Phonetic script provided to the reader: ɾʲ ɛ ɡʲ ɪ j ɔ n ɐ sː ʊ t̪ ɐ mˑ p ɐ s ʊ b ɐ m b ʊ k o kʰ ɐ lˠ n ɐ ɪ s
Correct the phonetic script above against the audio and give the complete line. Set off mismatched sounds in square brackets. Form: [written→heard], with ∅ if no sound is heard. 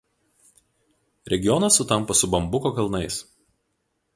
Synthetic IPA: ɾʲ ɛ ɡʲ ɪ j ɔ n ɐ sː ʊ t̪ ɐ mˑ p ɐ s ʊ b ɐ m b ʊ k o [kʰ→k] ɐ lˠ n ɐ ɪ s